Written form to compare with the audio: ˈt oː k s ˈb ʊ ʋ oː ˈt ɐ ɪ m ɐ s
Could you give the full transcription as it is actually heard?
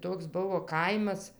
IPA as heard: ˈt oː k s ˈb ʊ ʋ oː ˈk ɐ ɪ m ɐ s